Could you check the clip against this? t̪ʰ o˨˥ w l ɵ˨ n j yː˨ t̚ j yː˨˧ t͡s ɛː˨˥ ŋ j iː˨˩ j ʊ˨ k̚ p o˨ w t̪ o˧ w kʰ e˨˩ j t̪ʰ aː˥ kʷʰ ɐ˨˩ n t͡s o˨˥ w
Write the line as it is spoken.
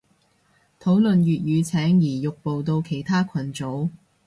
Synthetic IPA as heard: t̪ʰ o˨˥ w l ɵ˨ n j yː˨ t̚ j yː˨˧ t͡sʰ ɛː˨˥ ŋ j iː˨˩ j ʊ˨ k̚ p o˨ w t̪ o˧ w kʰ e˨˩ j t̪ʰ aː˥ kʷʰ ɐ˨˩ n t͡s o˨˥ w